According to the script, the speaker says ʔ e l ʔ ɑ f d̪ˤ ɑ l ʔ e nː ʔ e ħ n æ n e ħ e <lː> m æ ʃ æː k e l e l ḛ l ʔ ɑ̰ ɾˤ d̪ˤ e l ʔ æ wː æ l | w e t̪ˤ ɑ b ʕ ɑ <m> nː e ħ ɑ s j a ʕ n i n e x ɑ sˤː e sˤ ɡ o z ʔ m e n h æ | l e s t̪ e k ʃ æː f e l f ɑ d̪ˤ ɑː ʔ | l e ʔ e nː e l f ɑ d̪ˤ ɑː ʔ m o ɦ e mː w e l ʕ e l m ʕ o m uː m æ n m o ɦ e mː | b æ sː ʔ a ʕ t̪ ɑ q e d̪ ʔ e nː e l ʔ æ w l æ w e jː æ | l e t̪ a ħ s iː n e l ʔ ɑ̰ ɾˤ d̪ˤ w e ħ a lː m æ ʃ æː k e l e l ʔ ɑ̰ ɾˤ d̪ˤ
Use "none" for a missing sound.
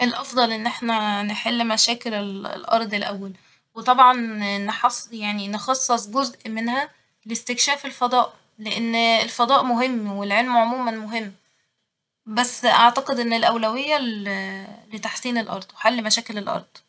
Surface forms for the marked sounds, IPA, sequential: lː, n

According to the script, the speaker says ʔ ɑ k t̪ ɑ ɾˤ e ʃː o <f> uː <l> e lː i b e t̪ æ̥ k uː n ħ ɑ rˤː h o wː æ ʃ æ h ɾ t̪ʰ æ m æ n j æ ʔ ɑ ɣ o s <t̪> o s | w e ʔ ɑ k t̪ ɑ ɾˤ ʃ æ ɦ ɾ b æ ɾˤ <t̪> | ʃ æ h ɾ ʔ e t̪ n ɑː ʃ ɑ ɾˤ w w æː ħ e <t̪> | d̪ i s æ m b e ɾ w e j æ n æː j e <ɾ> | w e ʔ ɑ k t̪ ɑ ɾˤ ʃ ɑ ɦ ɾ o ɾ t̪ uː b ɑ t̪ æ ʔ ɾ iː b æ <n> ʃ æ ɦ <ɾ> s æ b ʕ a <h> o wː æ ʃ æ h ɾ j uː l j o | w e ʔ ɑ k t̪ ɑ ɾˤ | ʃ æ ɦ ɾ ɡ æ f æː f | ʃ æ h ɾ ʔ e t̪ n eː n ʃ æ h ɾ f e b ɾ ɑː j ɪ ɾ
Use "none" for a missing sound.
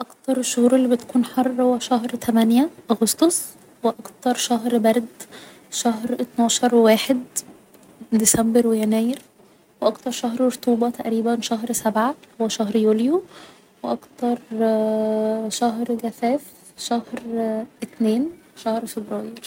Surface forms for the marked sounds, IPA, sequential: h, ɾ, t̪, d̪, d̪, ɾ, n, ɾ, h

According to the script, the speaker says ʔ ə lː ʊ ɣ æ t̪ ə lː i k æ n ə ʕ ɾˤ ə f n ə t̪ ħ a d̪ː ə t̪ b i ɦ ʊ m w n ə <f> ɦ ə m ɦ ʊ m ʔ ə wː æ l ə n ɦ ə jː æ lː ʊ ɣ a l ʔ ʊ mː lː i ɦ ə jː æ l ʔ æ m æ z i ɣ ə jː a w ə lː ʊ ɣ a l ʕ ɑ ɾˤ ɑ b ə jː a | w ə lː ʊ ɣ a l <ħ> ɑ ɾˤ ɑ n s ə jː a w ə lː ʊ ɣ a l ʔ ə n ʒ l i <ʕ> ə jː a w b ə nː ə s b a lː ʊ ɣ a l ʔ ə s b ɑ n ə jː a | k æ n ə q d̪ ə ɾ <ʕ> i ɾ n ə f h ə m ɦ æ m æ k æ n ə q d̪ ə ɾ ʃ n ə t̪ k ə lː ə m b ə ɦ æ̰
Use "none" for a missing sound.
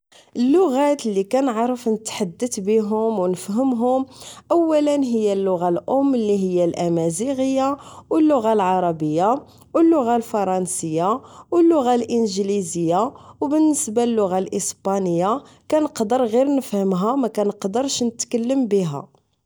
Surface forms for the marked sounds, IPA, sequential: f, f, z, ɣ

